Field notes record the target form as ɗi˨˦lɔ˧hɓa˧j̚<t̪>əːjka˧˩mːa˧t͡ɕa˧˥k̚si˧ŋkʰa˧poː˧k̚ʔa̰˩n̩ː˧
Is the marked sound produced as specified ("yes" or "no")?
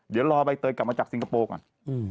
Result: yes